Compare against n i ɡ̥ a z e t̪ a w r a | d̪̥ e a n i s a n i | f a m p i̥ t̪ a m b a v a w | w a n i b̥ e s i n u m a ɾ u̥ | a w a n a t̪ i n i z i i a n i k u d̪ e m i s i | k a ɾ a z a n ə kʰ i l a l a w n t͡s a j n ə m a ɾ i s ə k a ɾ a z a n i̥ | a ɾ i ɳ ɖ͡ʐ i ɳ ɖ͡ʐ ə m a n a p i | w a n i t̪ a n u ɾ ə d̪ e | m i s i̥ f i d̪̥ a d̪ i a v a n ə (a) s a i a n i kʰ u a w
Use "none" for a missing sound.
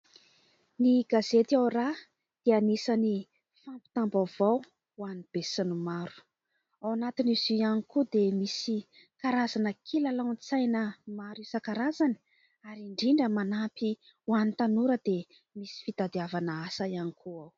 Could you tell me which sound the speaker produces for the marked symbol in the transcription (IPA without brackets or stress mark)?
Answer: a